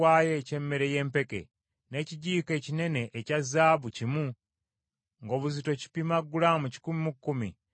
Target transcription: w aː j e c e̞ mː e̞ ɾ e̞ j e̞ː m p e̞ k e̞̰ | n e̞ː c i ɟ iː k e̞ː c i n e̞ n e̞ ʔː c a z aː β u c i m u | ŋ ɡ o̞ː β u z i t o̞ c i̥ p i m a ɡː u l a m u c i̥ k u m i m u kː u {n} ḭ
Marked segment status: incorrect: m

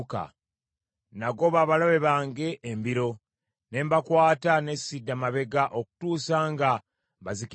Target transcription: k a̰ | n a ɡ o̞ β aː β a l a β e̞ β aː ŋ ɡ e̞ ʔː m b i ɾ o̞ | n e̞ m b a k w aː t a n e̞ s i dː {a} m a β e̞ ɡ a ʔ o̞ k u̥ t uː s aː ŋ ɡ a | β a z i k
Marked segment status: correct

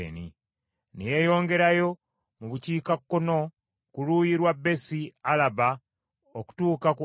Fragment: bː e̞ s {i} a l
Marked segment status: correct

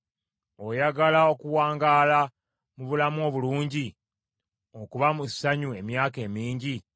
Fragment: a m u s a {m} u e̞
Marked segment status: incorrect: ɲ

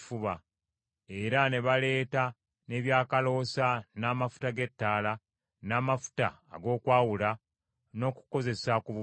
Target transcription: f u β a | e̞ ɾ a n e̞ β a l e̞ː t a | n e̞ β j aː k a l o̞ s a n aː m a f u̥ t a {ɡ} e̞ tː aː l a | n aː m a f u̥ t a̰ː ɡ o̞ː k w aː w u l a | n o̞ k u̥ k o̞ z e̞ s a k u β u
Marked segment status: correct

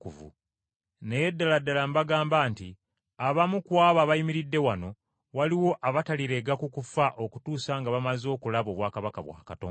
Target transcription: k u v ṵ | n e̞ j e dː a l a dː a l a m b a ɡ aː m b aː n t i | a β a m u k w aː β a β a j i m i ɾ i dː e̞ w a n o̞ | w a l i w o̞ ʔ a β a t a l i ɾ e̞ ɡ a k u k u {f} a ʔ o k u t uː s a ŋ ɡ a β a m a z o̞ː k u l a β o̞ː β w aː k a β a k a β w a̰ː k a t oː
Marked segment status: correct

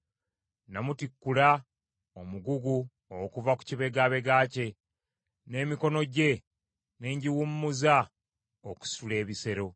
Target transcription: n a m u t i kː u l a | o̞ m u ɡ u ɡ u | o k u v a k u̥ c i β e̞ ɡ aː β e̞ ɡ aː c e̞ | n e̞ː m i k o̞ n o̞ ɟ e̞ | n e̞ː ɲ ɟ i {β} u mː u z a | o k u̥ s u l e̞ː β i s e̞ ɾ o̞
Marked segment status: incorrect: w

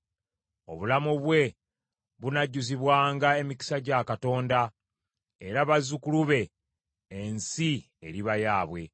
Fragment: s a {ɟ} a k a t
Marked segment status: correct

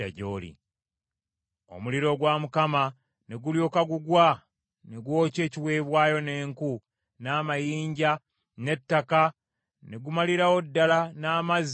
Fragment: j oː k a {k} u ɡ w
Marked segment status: incorrect: ɡ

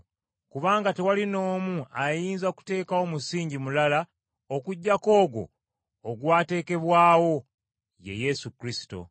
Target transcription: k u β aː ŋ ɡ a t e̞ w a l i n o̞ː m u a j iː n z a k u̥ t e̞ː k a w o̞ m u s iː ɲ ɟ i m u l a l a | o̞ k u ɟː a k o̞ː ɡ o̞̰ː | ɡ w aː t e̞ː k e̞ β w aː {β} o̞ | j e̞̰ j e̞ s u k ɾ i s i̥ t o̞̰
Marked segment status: incorrect: w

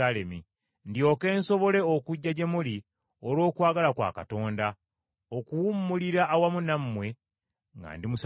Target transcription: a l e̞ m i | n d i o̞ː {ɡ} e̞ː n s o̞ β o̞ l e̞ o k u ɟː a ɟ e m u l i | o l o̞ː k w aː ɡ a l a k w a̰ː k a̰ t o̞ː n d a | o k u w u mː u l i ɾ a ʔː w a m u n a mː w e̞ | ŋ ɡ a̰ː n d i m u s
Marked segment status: incorrect: k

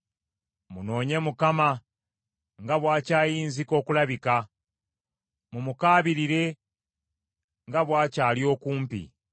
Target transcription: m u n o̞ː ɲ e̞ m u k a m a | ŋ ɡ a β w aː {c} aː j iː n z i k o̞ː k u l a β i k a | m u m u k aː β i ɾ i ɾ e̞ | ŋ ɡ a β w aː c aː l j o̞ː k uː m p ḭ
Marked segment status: correct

